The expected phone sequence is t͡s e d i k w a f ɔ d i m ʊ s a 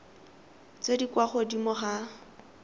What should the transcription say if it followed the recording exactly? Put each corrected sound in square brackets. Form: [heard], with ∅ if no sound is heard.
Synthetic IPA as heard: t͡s e d i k w a [χ] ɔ d i m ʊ [χ] a